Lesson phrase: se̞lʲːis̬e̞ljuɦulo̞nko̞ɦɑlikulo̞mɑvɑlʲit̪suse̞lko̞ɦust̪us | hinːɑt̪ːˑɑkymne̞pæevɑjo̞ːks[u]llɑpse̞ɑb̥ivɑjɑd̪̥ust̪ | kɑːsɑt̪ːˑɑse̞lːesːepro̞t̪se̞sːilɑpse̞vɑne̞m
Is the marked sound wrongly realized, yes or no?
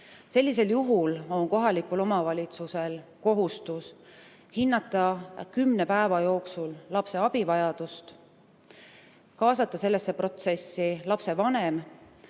no